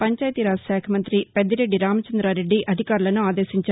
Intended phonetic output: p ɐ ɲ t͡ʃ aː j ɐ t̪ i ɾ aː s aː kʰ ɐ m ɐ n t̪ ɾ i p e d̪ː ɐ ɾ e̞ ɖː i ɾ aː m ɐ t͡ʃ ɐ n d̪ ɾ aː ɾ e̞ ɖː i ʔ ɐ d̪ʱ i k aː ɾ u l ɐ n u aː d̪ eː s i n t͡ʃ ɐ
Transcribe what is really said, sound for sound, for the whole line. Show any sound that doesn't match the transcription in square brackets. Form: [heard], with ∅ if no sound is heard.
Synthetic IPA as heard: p ɐ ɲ t͡ʃ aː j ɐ t̪ i ɾ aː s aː kʰ ɐ m ɐ n t̪ ɾ i p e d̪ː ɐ ɾ e̞ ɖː i ɾ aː m ɐ t͡ʃ ɐ n d̪ ɾ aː ɾ e̞ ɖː i ʔ ɐ d̪ʱ i k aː ɾ u l ɐ n u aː d̪ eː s i [ɲ] t͡ʃ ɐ